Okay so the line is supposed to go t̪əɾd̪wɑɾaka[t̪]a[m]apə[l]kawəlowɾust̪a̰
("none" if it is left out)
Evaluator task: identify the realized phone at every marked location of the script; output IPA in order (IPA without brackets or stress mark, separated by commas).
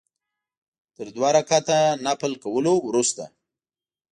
t̪, n, l